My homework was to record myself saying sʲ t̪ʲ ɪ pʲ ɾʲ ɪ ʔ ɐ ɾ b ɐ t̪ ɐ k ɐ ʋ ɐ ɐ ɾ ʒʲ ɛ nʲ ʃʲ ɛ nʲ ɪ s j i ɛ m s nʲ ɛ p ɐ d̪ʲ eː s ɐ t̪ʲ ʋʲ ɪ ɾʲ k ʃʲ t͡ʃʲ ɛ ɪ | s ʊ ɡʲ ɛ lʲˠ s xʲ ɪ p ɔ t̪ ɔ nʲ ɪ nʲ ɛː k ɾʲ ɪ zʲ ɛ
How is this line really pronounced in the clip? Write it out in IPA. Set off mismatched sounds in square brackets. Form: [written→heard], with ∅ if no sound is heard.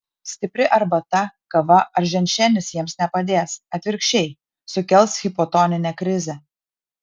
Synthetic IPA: sʲ t̪ʲ ɪ pʲ ɾʲ ɪ ʔ ɐ ɾ b ɐ t̪ ɐ k ɐ ʋ ɐ ɐ ɾ ʒʲ ɛ nʲ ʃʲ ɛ nʲ ɪ s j i ɛ m s nʲ ɛ p ɐ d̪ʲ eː s ɐ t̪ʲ ʋʲ ɪ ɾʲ k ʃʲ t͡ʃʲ ɛ ɪ | s ʊ [ɡʲ→kʲ] ɛ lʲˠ s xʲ ɪ p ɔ t̪ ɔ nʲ ɪ nʲ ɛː k ɾʲ ɪ zʲ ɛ